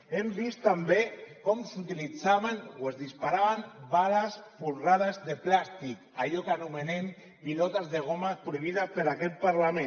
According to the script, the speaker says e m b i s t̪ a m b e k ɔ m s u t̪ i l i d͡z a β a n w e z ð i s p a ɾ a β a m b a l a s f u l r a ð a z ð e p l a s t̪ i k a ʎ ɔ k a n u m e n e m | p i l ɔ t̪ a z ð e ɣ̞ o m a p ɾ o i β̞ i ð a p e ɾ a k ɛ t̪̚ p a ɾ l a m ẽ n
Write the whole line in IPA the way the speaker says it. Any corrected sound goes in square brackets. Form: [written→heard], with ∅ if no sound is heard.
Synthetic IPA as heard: e m b i s t̪ a m b e k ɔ m s u t̪ i l i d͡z a β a n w e z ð i s p a ɾ a β a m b a l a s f u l r a ð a z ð e p l a s t̪ i k a ʎ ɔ k a n u m e n e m | p i l ɔ t̪ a z ð e ɣ̞ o m a p ɾ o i β̞ i ð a p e ɾ a k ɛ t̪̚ p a ɾ l a m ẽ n